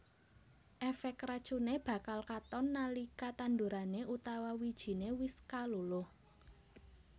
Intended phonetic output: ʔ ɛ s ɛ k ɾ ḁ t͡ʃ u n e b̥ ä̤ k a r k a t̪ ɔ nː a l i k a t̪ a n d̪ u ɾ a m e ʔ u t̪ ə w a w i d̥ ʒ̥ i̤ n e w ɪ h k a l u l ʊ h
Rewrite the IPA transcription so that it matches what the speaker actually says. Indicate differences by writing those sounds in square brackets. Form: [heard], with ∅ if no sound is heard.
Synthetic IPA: ʔ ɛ [f] ɛ k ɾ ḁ t͡ʃ u n e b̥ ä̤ k a [l] k a t̪ ɔ nː a l i k a t̪ a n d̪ u ɾ a [n] e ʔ u t̪ [a] w a w i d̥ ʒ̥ i̤ n e w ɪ [s] k a l u l ʊ h

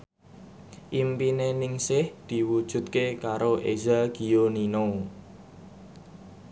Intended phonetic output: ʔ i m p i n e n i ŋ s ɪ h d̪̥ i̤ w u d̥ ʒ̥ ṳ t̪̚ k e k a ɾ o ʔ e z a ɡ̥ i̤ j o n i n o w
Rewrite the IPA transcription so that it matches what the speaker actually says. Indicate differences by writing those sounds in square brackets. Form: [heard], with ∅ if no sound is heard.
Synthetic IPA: ʔ i m p i n e n [ɪ] ŋ s ɪ h d̪̥ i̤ w u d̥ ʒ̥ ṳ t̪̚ k e k a ɾ o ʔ e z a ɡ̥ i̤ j o n i n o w

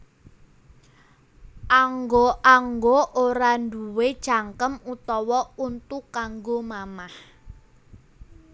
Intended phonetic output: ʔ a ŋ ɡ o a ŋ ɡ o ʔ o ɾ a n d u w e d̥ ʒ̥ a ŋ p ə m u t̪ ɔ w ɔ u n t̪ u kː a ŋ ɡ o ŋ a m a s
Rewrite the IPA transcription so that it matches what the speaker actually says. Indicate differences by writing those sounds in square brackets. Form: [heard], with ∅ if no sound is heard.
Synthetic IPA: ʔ a ŋ ɡ o a ŋ ɡ o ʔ o ɾ a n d u w e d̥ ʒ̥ a ŋ [k] ə m u t̪ ɔ w ɔ u n t̪ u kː a ŋ ɡ o [m] a m a [h]

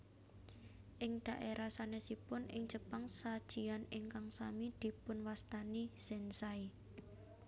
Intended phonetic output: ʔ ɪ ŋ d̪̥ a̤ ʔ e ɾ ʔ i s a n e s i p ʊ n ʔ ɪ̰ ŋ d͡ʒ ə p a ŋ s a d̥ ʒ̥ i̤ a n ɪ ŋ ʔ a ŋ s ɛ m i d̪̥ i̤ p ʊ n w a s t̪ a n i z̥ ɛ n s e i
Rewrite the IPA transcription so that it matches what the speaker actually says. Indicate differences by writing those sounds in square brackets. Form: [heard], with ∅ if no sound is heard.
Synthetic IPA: ʔ ɪ ŋ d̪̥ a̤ ʔ e ɾ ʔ [a] s a n e s i p ʊ n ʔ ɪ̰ ŋ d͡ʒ ə p a ŋ s a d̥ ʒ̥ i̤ a n ɪ ŋ [k] a ŋ s [a] m i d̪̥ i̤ p ʊ n w a s t̪ a n i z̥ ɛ n s [a] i

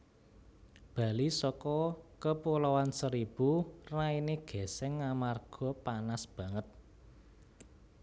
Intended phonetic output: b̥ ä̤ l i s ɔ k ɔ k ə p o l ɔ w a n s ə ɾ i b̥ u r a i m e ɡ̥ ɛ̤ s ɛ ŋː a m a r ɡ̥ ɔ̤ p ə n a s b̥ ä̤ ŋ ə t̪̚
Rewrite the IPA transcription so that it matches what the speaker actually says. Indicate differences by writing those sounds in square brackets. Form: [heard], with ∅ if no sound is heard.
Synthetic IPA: b̥ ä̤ l i s ɔ k ɔ k ə p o l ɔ w a n s ə ɾ i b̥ u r a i [n] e ɡ̥ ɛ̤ s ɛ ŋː a m a r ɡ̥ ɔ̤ p [a] n a s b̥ ä̤ ŋ ə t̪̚

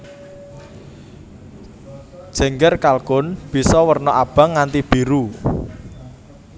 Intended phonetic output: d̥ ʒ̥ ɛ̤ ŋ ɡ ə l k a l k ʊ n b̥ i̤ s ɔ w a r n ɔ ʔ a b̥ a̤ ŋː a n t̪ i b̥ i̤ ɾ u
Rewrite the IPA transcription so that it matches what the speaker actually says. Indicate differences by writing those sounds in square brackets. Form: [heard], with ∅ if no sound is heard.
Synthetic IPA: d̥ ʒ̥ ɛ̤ ŋ ɡ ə [r] k a l k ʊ n b̥ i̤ s ɔ w [ə] r n ɔ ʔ a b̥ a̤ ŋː a n t̪ i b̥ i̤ ɾ u

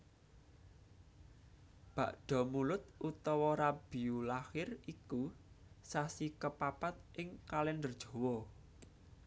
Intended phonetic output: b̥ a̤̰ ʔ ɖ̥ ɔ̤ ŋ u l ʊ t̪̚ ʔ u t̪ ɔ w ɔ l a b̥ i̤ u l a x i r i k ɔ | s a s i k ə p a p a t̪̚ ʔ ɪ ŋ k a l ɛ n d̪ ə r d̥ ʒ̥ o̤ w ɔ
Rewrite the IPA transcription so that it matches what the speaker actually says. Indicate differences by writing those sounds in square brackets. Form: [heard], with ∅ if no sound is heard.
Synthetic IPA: b̥ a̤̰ ʔ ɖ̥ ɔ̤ [m] u l ʊ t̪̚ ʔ u t̪ ɔ w ɔ [ɾ] a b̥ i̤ u l a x [ɪ] r i k [u] | s a s i k ə p a p a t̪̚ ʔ ɪ ŋ k a l ɛ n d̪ ə r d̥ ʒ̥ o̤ w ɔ

